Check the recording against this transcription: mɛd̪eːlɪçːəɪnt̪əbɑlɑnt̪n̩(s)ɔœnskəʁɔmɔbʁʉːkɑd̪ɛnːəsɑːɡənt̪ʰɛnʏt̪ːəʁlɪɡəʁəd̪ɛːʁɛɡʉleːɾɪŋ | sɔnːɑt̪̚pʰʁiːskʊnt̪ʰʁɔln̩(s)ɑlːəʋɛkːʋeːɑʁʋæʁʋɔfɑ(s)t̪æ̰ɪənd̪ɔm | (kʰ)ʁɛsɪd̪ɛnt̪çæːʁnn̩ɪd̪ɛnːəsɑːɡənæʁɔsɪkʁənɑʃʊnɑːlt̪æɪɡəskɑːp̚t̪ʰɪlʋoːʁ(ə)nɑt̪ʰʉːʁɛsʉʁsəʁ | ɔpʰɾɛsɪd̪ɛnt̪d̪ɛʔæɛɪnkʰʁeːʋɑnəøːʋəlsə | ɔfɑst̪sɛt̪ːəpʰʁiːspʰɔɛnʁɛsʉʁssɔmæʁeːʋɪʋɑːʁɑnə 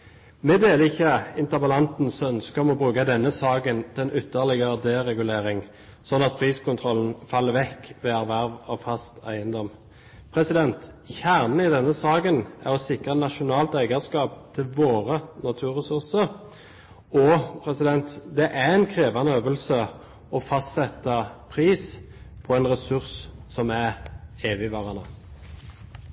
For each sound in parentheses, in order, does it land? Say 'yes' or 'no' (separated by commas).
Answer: yes, no, yes, no, yes